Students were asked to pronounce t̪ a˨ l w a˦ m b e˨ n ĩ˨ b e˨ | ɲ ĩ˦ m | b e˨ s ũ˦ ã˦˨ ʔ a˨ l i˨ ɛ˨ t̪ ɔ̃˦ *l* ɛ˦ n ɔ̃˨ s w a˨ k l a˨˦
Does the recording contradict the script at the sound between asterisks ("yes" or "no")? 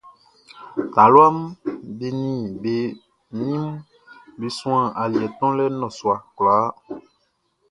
no